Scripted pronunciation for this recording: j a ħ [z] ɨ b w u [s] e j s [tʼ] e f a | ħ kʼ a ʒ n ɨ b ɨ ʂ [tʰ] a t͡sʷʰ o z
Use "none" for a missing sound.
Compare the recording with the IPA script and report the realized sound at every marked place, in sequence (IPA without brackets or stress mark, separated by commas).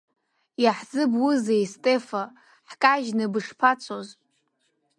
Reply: z, z, tʼ, pʰ